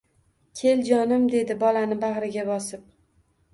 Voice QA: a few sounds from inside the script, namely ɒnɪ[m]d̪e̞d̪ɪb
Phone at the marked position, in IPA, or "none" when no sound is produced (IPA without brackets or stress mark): m